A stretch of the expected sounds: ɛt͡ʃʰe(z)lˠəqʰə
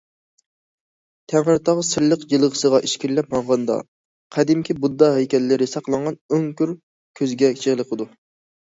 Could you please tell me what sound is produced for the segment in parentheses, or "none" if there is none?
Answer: ʁ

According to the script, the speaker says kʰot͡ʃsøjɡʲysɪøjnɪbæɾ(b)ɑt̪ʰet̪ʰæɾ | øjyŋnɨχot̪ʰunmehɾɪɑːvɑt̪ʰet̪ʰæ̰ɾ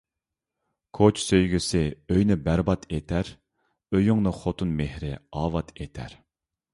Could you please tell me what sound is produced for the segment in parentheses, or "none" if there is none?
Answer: b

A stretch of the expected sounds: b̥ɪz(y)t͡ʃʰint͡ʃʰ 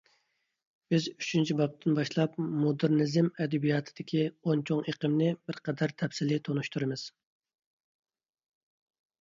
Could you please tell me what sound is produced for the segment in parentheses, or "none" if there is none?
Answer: y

